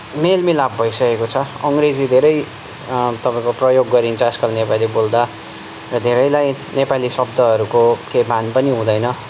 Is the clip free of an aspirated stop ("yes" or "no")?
no